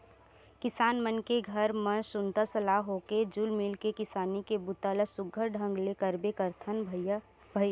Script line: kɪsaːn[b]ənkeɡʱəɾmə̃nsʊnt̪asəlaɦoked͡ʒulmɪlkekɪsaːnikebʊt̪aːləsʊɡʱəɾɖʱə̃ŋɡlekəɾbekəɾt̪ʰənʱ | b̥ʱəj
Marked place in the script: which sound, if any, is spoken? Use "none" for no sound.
m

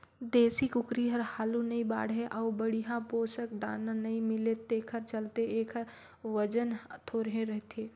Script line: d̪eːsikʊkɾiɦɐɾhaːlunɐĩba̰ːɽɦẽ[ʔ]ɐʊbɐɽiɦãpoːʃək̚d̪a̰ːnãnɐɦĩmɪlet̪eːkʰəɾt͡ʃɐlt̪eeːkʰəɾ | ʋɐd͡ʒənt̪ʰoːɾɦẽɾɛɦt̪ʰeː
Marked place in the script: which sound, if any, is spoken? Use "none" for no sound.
ʔ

